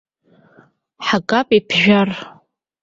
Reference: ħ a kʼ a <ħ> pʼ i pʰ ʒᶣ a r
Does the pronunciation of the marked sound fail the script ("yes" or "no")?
yes